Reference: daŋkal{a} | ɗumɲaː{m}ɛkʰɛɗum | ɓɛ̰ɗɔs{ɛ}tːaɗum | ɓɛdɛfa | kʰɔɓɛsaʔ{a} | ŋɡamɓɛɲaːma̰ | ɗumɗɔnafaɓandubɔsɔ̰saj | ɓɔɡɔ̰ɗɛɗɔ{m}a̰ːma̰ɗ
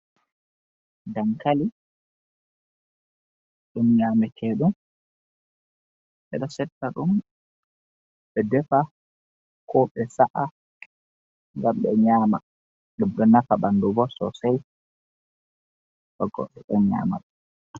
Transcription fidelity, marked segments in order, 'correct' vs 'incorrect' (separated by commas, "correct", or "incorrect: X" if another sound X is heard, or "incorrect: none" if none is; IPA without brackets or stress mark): incorrect: i, correct, correct, correct, incorrect: ɲ